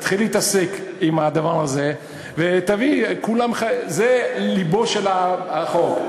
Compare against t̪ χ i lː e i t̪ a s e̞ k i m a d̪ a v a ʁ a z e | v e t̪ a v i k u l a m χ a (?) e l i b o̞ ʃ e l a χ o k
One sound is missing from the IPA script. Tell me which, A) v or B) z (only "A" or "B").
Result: B